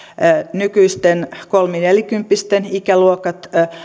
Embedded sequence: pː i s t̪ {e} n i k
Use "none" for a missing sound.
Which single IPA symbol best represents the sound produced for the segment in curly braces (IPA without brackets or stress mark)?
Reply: e